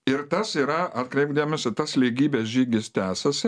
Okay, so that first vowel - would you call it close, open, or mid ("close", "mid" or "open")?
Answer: close